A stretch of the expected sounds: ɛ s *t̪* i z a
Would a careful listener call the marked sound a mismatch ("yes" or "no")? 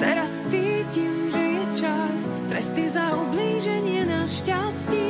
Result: no